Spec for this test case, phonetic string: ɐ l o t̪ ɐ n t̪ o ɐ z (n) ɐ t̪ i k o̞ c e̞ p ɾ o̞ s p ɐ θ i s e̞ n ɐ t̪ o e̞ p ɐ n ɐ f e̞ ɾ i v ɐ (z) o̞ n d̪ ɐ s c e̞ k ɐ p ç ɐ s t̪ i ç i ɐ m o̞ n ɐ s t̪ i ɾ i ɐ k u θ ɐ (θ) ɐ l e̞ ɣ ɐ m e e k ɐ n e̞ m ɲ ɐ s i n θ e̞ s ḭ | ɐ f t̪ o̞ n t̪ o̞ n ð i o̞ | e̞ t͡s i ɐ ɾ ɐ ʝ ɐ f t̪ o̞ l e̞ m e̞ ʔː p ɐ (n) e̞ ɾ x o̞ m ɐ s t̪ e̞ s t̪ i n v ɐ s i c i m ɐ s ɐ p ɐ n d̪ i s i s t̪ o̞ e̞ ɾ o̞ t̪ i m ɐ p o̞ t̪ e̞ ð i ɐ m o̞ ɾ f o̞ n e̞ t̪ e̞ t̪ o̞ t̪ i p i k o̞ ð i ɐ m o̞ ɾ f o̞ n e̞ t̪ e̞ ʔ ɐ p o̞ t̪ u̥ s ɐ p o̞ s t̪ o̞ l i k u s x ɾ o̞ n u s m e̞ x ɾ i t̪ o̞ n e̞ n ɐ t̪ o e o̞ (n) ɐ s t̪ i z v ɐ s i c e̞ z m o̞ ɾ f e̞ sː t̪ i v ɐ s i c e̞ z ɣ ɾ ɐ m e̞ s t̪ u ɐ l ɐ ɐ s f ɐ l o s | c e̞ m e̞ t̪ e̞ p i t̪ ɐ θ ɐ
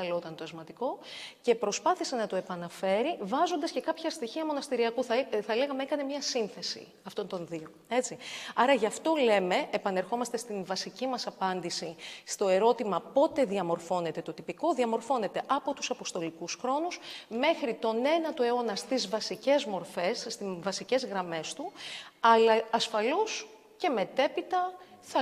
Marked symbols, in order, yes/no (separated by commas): no, yes, yes, yes, yes